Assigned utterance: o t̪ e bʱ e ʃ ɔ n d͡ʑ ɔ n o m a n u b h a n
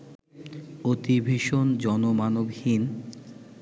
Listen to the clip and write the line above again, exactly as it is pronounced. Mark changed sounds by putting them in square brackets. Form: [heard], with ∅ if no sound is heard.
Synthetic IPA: o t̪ [i] bʱ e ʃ [o] n d͡ʑ ɔ n o m a n [o] b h [i] n